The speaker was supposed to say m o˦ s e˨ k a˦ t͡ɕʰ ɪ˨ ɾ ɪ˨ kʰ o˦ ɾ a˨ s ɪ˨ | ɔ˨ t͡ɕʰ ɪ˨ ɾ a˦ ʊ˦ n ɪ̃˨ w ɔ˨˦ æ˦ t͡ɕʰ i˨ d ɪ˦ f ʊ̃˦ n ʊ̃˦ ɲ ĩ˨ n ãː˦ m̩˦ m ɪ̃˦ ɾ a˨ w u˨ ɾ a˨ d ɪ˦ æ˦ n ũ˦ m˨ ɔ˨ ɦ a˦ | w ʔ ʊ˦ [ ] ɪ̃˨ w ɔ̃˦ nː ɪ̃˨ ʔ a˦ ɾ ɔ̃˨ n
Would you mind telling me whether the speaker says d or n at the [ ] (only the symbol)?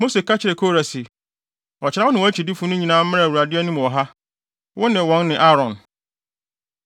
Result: n